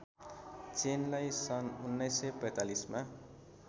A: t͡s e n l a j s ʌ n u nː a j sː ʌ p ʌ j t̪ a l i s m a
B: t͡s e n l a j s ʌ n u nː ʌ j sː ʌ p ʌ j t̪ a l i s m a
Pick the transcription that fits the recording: B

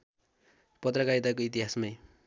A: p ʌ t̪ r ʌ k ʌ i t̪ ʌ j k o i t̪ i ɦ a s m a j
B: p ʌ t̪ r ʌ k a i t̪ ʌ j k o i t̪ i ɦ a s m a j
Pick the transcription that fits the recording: B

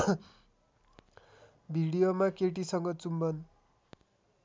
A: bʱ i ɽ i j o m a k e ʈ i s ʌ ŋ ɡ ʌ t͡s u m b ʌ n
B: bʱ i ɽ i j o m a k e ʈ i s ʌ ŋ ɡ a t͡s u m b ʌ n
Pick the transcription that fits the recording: A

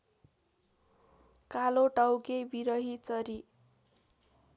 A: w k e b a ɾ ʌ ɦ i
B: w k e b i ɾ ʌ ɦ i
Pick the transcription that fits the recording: B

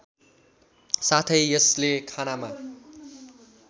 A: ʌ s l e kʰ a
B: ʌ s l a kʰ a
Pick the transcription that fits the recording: A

